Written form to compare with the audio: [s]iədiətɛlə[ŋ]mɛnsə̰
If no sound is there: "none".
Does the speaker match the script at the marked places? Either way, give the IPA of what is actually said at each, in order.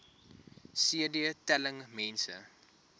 s, ŋ

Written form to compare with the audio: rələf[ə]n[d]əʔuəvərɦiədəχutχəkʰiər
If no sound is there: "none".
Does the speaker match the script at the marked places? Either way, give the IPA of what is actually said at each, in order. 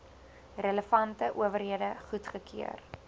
ɐ, t

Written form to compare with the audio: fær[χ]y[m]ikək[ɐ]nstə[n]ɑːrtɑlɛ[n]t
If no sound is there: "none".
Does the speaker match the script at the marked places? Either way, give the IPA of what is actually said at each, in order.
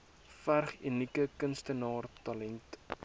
χ, n, ə, n, n

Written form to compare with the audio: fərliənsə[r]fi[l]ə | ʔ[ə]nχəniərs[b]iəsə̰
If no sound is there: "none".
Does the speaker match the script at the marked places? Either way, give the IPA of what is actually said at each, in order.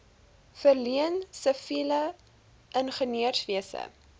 none, l, ə, v

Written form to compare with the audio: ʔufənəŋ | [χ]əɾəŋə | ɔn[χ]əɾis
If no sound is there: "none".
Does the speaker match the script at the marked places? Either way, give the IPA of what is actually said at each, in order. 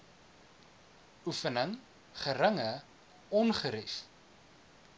χ, χ

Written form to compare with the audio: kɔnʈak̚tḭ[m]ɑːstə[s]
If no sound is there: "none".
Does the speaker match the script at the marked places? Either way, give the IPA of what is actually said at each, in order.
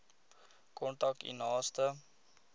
n, none

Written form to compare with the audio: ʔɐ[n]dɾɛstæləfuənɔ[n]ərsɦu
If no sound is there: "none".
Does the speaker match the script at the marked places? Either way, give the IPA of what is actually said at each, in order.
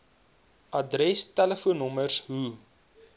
none, m

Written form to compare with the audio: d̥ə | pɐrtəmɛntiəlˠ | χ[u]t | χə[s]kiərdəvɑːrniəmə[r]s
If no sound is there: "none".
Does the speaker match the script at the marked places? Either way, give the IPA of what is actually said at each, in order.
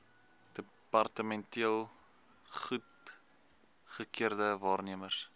u, none, r

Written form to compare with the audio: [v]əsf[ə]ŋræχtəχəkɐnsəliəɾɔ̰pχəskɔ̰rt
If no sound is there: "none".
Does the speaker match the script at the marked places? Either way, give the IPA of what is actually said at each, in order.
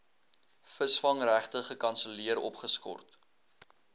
f, ɐ

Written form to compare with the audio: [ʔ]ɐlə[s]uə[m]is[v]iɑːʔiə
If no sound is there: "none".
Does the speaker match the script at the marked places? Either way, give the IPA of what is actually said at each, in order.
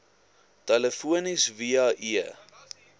t, f, n, v

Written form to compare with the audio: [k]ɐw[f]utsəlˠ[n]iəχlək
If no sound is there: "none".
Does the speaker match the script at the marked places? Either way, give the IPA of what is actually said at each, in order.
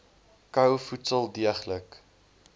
k, f, d

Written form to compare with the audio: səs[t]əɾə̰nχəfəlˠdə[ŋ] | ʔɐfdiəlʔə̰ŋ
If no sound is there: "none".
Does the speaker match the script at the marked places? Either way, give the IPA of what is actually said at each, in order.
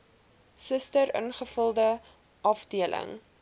t, none

